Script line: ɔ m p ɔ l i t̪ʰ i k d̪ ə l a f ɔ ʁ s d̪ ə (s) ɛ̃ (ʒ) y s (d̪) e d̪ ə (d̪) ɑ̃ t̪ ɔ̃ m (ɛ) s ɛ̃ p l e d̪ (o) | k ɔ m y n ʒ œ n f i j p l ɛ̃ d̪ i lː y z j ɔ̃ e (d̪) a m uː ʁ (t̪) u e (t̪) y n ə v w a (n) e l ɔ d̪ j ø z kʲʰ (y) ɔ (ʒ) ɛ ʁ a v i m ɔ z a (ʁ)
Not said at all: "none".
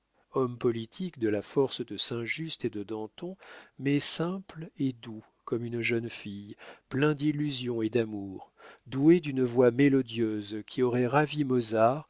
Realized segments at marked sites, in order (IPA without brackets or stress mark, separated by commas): s, ʒ, t̪, d̪, ɛ, u, d̪, d̪, d̪, m, i, ʁ, ʁ